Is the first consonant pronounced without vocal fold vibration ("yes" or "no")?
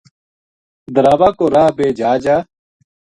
no